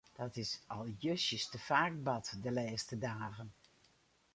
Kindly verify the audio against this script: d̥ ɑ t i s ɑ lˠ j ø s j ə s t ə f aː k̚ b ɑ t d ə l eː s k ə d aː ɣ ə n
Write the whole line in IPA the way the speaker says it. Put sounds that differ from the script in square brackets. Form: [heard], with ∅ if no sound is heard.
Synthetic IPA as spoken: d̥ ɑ t [ɪ] s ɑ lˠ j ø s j ə s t ə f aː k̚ b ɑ t d ə l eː s [t] ə d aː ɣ ə n